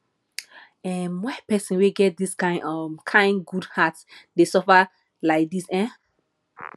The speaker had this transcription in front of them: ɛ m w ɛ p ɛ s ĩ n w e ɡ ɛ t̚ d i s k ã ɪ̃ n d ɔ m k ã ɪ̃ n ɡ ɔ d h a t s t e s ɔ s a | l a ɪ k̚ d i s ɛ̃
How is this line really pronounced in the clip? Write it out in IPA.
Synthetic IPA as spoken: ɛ m w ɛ p ɛ s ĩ n w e ɡ ɛ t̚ d i s k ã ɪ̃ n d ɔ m kʰ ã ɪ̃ n ɡ u d h a t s d e s ɔ f a | l a ɪ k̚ d i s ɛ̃